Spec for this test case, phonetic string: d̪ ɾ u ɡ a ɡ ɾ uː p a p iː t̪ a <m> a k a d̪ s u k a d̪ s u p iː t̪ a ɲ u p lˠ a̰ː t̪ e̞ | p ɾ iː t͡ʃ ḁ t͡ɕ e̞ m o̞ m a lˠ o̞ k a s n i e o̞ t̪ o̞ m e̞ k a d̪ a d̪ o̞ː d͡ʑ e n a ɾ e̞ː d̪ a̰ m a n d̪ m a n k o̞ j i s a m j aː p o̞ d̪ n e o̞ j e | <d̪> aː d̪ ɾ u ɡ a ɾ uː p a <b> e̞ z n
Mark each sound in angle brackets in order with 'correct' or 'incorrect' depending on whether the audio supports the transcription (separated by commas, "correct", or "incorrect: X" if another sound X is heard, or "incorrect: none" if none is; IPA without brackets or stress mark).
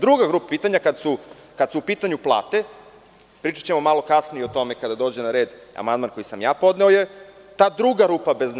incorrect: ɲ, incorrect: t̪, correct